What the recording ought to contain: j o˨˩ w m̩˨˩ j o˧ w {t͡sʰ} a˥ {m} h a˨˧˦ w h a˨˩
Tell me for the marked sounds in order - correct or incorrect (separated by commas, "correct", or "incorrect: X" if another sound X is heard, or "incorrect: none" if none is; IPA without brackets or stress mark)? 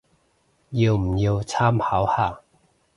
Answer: correct, correct